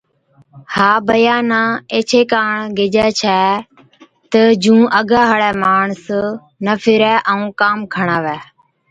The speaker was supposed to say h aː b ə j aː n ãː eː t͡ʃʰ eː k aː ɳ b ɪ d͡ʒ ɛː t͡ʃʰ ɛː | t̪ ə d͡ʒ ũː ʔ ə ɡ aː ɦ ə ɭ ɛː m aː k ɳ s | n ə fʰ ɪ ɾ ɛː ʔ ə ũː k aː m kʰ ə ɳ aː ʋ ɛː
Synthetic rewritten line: h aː b ə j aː n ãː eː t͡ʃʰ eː k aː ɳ ɡ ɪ d͡ʒ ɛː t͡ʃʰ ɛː | t̪ ə d͡ʒ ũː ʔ ə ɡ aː ɦ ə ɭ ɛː m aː ɳ s | n ə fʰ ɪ ɾ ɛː ʔ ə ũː k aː m kʰ ə ɳ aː ʋ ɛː

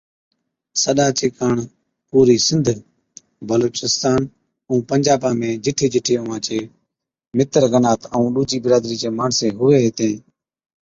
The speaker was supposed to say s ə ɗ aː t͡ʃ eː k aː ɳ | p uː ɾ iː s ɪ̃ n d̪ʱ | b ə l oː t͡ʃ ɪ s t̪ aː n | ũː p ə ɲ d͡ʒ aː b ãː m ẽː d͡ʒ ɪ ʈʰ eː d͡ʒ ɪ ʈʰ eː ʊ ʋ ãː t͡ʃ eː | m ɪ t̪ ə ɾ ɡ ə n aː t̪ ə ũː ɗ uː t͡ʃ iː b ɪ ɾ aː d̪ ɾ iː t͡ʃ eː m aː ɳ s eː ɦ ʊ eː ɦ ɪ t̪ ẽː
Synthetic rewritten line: s ə ɗ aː t͡ʃ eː k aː ɳ | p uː ɾ iː s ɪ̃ n d̪ʱ | b ə l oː t͡ʃ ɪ s t̪ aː n | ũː p ə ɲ d͡ʒ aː b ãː m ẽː d͡ʒ ɪ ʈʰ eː d͡ʒ ɪ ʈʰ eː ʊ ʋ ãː t͡ʃ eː | m ɪ t̪ ə ɾ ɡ ə n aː t̪ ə ũː ɗ uː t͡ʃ iː b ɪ ɾ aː d̪ ɾ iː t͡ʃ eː m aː ɳ s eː ɦ ʊ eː ɦ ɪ t̪ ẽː

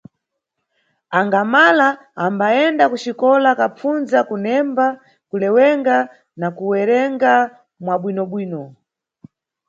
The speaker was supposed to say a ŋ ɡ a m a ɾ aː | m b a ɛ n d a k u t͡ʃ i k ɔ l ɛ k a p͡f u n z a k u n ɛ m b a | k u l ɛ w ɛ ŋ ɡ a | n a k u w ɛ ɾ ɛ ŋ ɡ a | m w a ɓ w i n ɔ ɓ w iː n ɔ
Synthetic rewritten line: a ŋ ɡ a m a l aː | m b a ɛ n d a k u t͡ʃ i k ɔ l a k a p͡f u n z a k u n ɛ m b a | k u l ɛ w ɛ ŋ ɡ a | n a k u w ɛ ɾ ɛ ŋ ɡ a | m w a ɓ w i n ɔ ɓ w iː n ɔ

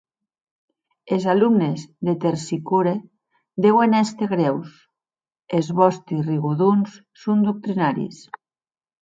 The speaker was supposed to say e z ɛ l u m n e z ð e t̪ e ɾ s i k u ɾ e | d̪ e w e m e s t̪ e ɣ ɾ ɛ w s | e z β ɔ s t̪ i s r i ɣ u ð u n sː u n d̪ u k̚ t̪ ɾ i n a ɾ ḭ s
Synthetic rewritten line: e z a l u m n e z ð e t̪ e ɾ s i k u ɾ e | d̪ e w e n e s t̪ e ɣ ɾ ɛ w s | e z β ɔ s t̪ i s r i ɣ u ð u n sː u n d̪ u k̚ t̪ ɾ i n a ɾ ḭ s

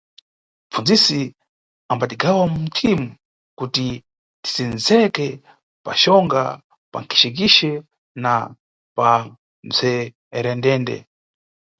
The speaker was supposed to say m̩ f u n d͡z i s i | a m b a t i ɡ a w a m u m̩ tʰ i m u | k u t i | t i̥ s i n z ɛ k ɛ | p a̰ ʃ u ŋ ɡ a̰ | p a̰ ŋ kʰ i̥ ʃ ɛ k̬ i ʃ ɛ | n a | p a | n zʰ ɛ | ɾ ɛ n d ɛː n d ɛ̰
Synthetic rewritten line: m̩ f u n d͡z i s i | a m b a t i ɡ a w a m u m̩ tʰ i m u | k u t i | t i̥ s i n z ɛ k ɛ | p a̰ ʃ ɔ ŋ ɡ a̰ | p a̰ ŋ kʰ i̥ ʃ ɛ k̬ i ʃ ɛ | n a | p a | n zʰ ɛ | ɾ ɛ n d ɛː n d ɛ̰

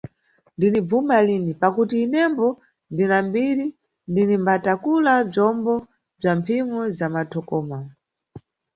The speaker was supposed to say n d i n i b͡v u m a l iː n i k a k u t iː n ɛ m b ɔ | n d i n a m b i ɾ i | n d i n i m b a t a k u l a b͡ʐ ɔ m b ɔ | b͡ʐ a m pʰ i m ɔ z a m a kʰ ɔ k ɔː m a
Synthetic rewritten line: n d i n i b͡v u m a l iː n i p a k u t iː n ɛ m b ɔ | n d i n a m b i ɾ i | n d i n i m b a t a k u l a b͡ʐ ɔ m b ɔ | b͡ʐ a m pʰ i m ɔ z a m a tʰ ɔ k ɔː m a

